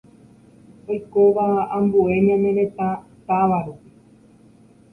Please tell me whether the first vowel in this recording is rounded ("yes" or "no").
yes